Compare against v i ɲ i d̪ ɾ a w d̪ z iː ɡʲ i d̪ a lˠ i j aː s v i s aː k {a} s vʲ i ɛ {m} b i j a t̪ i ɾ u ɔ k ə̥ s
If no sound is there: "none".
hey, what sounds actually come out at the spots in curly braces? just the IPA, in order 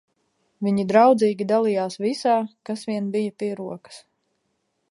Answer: a, n

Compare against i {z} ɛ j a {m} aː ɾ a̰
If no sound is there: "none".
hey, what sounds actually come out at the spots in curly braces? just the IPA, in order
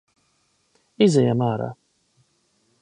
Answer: z, m

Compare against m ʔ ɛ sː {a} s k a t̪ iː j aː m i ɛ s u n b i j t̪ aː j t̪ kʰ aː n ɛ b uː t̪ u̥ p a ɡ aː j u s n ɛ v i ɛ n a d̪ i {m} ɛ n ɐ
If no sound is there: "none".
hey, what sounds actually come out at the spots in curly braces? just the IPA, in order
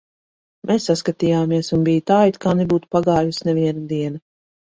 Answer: a, none

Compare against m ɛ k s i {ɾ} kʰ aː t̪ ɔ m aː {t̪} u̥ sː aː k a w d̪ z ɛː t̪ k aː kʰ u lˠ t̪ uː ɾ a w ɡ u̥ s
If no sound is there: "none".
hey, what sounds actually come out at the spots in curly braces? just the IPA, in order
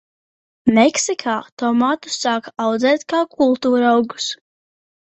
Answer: none, t̪

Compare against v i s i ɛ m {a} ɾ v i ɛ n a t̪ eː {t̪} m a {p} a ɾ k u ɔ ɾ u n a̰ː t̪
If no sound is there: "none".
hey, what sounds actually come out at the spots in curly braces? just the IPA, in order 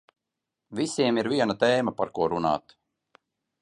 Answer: i, none, p

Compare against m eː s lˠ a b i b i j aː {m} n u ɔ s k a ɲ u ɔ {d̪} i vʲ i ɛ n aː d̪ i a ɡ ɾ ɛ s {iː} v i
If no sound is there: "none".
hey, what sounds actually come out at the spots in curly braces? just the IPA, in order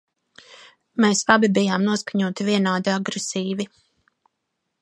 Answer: m, t̪, iː

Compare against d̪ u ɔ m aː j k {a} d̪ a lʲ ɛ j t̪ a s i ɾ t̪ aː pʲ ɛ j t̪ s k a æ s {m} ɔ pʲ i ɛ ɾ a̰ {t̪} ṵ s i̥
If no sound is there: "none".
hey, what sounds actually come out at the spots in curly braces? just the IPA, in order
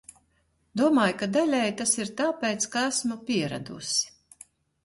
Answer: a, m, d̪

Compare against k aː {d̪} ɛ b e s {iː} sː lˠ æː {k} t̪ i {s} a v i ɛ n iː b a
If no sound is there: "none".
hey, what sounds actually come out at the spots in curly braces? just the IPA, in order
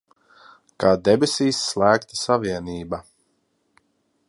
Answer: d̪, iː, k, s

